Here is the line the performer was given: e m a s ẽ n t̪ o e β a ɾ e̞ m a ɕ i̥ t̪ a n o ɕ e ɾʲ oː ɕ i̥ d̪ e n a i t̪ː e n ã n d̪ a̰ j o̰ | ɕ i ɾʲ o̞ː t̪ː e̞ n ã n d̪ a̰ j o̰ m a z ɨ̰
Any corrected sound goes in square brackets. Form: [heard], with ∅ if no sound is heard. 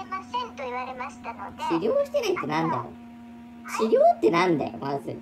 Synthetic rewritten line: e m a s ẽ n t̪ o [i] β a ɾ e̞ m a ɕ i̥ t̪ a n o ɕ [i] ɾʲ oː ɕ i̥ [t̪] e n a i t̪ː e n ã n d̪ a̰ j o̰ | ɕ i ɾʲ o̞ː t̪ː e̞ n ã n d̪ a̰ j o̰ m a z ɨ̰